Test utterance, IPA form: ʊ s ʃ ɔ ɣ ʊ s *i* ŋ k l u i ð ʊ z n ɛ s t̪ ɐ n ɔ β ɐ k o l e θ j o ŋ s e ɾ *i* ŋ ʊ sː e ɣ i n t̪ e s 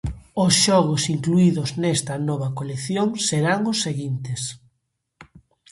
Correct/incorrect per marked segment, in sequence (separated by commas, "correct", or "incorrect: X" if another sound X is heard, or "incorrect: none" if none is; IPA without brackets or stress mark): correct, incorrect: a